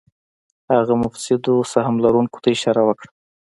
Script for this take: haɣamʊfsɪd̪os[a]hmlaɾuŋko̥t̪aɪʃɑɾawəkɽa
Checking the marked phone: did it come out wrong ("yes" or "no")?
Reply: no